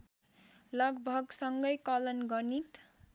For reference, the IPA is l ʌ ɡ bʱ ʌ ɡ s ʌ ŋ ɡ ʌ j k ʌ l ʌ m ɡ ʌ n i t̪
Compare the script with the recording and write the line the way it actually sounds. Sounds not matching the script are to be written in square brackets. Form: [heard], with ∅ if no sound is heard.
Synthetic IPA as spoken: l ʌ ɡ bʱ ʌ ɡ s ʌ ŋ ɡ ʌ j k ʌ l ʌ [n] ɡ ʌ n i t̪